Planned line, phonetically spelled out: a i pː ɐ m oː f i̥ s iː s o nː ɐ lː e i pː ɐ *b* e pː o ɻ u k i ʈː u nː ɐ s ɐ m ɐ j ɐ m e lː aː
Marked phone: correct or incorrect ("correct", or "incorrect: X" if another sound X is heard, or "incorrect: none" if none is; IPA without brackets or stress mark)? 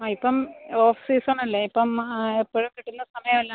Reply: incorrect: m